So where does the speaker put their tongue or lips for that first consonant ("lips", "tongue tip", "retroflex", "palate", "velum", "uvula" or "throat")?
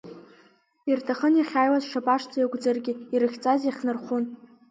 tongue tip